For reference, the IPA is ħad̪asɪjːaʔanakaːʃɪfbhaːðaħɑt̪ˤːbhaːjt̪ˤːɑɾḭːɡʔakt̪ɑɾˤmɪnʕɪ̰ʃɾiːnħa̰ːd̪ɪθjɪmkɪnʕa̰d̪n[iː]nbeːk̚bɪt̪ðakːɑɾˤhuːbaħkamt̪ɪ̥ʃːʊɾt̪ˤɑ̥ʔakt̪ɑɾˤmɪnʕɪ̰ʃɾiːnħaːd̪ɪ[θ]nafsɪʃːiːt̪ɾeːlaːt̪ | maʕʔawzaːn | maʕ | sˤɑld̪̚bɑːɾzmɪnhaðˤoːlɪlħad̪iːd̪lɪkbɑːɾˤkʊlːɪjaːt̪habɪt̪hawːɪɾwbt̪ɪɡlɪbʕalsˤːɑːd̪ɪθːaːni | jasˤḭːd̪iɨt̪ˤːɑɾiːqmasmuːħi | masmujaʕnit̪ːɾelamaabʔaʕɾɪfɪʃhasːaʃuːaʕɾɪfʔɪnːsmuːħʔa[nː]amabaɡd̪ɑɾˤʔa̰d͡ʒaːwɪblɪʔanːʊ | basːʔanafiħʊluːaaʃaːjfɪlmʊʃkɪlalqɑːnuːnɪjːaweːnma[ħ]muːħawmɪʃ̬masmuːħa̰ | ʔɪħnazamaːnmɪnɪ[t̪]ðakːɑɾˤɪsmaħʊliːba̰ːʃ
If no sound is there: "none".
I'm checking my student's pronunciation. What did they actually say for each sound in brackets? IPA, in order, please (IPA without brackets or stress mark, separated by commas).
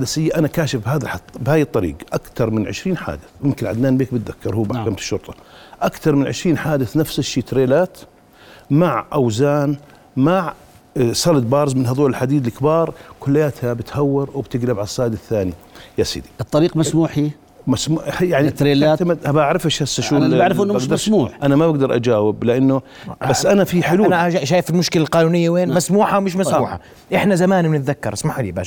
aː, θ, n, s, t̪